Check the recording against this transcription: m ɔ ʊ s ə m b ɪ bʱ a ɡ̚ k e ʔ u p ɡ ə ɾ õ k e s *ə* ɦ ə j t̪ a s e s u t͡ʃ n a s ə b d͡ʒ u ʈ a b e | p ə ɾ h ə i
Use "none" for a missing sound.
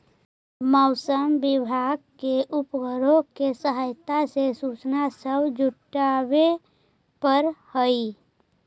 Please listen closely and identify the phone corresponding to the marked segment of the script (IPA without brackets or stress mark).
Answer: ə